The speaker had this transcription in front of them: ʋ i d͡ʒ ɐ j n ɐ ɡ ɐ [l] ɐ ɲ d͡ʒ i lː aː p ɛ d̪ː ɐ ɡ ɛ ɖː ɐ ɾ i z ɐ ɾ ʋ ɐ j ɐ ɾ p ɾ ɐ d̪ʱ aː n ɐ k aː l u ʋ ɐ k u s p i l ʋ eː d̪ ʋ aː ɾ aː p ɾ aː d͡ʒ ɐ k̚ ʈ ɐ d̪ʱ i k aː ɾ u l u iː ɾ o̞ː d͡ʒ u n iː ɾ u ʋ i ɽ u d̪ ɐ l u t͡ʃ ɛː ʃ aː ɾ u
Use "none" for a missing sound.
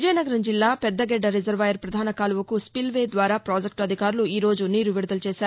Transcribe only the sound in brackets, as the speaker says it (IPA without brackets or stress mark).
ɾ